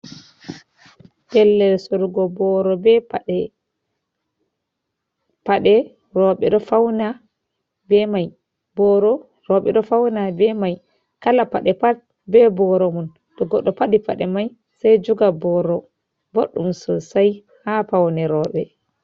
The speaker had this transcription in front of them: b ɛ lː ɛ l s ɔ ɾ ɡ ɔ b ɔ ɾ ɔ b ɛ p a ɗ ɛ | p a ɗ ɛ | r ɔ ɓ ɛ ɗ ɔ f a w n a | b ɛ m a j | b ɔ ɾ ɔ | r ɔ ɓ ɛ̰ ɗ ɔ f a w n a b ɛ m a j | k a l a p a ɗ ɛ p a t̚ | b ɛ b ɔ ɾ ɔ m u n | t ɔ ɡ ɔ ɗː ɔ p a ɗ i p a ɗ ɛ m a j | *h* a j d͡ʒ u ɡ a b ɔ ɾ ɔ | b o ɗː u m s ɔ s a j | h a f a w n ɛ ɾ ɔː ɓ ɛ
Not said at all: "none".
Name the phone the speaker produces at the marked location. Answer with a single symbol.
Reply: s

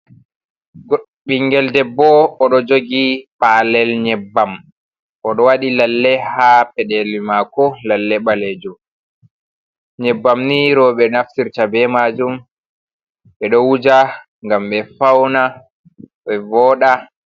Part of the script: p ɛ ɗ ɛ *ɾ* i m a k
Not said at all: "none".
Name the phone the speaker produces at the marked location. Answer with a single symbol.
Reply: l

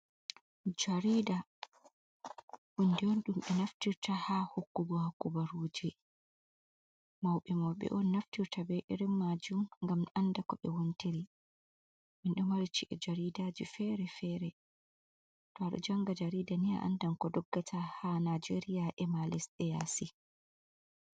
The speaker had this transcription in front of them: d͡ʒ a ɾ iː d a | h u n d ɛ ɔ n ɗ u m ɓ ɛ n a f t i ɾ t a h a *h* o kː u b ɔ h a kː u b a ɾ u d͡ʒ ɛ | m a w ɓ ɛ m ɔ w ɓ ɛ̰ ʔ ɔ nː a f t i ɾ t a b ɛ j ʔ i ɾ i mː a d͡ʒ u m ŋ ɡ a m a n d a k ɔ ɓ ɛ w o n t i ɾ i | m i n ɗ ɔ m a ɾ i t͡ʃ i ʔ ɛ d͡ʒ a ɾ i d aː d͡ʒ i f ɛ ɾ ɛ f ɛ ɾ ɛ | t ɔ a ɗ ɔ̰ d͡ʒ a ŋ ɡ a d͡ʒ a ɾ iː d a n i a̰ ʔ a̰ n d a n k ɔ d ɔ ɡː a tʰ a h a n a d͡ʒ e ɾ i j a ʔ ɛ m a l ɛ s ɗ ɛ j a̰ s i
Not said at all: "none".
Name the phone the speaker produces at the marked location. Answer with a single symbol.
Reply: h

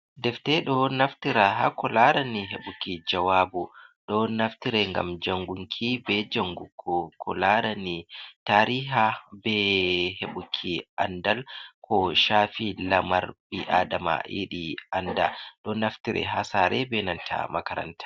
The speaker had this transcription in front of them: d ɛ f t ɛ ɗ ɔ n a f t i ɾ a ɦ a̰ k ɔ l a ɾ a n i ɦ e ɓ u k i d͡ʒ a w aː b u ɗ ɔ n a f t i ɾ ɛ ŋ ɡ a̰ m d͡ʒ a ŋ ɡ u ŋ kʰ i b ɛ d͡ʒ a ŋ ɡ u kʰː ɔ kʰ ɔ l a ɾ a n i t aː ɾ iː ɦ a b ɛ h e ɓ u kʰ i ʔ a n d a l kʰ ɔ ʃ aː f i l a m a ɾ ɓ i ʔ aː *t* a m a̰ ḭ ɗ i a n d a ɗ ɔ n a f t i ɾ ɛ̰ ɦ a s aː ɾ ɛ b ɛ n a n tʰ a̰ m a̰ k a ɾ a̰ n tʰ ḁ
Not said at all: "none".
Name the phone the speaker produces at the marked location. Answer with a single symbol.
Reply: d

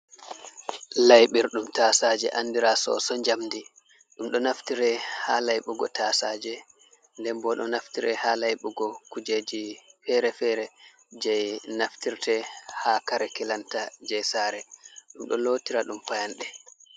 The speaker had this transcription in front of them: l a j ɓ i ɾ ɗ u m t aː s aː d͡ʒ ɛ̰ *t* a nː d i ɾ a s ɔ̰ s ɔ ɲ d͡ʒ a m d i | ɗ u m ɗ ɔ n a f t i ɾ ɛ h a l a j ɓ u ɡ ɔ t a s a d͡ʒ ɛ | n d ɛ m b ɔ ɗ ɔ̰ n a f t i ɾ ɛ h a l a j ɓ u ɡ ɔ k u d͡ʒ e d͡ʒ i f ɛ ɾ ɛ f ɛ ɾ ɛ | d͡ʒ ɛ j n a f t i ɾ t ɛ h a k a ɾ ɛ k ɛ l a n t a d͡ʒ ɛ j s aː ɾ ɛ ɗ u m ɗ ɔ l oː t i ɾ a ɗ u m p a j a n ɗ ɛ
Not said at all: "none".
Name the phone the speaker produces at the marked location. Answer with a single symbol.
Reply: ʔ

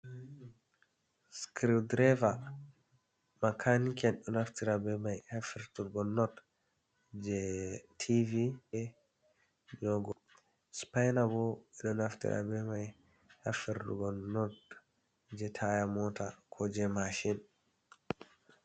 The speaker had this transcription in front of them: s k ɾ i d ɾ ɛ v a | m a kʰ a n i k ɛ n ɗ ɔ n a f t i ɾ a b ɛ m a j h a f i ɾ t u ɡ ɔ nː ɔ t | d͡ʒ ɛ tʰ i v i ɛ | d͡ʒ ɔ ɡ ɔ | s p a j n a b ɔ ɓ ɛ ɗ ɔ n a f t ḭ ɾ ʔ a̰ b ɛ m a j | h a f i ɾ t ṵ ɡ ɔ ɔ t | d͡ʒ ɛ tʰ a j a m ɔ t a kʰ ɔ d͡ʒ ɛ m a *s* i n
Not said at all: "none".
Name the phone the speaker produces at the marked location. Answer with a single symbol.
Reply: ʃ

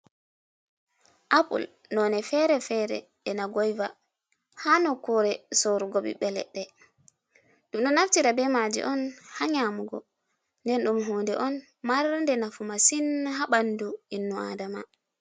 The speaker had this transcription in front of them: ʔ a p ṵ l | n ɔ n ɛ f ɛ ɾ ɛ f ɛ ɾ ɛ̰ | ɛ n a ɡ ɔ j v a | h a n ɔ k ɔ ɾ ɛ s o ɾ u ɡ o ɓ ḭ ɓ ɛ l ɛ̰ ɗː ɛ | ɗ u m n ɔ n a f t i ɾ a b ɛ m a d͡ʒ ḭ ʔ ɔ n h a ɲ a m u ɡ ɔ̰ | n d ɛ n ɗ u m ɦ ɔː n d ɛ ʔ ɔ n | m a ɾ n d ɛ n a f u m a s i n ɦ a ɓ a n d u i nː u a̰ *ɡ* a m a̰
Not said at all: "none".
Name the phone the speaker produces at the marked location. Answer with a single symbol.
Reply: d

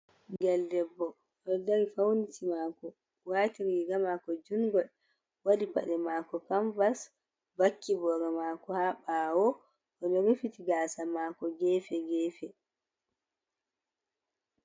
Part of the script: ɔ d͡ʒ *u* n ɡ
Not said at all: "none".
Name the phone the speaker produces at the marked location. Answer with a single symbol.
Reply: u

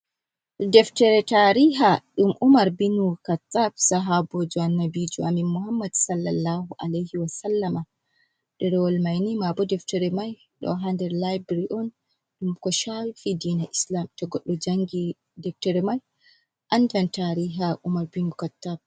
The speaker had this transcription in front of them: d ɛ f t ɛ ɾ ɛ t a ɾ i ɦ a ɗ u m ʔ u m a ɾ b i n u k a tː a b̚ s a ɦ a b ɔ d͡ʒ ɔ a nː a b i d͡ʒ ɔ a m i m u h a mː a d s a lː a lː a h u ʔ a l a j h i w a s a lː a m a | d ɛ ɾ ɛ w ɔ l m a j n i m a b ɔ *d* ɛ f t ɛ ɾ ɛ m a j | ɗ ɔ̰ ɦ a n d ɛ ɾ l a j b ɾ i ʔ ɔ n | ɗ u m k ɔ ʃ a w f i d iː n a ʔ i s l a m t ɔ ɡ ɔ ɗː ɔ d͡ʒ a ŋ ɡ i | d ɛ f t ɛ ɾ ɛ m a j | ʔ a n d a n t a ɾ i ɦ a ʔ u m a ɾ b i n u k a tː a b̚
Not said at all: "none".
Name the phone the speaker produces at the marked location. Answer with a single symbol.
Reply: d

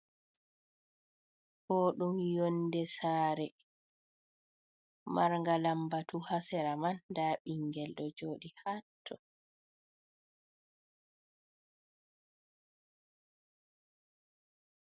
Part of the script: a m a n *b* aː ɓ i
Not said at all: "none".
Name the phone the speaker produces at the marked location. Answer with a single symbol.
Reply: d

